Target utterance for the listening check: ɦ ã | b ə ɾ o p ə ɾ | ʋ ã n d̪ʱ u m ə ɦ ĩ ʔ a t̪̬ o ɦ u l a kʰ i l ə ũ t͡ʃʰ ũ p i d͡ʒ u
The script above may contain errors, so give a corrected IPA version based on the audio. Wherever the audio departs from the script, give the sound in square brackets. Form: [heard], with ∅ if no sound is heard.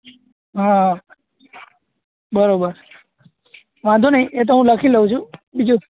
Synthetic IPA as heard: ɦ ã | b ə ɾ o [b] ə ɾ | ʋ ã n d̪ʱ u [n] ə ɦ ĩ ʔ [e] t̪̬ o ɦ [ũ] l [ə] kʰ i l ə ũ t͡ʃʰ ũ [b] i d͡ʒ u